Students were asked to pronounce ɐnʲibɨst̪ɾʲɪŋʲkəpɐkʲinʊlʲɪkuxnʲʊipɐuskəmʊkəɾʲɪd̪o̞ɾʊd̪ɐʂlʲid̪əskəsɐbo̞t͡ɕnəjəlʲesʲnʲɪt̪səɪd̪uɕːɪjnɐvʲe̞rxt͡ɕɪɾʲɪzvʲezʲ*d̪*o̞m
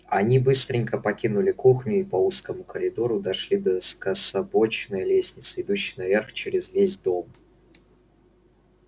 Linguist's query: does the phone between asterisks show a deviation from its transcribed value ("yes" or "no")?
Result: no